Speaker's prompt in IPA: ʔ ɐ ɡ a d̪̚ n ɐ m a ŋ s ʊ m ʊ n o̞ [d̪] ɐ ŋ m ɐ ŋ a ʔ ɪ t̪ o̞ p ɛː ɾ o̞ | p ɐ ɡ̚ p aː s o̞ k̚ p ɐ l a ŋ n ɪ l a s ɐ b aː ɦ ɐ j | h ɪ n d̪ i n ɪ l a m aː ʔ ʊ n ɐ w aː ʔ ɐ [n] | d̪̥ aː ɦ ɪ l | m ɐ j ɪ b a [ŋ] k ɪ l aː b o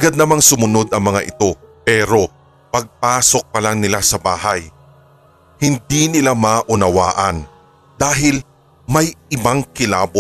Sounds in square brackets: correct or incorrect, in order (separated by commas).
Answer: correct, correct, correct